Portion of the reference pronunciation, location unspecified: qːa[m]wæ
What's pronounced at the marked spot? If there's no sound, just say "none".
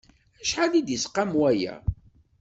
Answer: m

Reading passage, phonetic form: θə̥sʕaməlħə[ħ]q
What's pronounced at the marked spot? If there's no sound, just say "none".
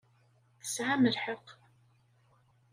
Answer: none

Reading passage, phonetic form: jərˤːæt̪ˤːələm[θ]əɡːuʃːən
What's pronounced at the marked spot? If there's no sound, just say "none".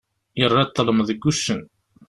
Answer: ð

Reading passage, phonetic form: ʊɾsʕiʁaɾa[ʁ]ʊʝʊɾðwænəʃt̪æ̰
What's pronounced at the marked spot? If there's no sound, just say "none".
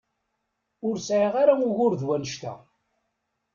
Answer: none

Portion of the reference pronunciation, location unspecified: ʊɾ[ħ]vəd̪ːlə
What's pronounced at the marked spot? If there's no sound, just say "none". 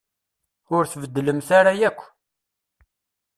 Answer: θ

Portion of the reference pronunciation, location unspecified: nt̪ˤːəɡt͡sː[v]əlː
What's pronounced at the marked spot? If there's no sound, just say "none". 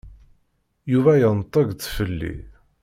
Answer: f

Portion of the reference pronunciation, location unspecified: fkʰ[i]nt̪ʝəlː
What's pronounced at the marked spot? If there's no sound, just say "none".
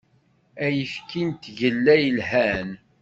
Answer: i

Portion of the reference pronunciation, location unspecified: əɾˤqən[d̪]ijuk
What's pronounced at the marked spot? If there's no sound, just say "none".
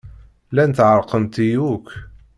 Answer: t̪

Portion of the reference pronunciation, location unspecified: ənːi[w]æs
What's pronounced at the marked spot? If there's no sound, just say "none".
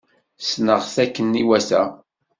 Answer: w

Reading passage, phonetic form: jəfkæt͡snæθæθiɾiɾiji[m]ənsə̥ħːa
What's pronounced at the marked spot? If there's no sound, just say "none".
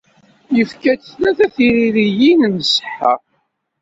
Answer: n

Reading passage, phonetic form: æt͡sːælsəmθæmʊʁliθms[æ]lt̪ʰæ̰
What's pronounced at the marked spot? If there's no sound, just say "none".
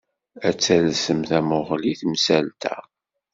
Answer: æ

